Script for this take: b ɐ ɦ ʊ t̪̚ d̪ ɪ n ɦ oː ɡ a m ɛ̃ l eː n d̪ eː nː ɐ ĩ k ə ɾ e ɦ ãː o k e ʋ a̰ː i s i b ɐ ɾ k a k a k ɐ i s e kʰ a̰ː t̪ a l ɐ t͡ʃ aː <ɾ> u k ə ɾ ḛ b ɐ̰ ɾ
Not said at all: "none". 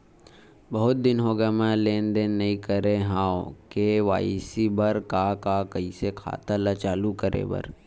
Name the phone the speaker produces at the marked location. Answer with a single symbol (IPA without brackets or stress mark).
l